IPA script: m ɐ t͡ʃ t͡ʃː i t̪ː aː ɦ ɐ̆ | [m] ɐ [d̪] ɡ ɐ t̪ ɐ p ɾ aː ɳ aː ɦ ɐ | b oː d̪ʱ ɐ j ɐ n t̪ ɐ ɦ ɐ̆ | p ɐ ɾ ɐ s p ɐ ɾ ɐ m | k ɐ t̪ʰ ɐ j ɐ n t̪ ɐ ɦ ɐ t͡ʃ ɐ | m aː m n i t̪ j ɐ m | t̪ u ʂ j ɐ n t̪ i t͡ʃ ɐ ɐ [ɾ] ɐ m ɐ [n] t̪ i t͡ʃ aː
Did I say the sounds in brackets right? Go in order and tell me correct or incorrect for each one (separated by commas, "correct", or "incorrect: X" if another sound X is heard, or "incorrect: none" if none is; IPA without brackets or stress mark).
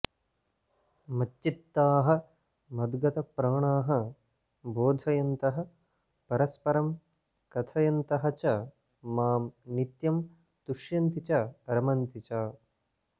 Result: correct, correct, correct, correct